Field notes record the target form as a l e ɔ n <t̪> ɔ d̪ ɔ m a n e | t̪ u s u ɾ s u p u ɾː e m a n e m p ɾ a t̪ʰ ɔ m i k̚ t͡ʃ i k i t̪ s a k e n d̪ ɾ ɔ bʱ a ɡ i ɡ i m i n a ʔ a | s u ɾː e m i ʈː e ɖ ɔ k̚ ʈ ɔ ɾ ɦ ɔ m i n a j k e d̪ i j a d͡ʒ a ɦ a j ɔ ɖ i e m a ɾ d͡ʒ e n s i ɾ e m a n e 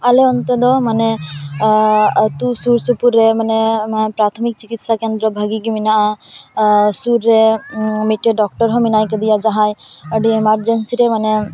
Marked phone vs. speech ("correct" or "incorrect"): correct